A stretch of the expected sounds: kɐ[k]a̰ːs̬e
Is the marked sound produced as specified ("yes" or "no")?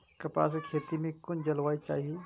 no